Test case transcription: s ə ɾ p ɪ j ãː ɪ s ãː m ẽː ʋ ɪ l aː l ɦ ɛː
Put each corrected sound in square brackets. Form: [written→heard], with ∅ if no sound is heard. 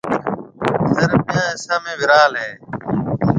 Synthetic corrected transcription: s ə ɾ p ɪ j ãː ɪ s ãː m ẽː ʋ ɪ [l→ɾ] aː l ɦ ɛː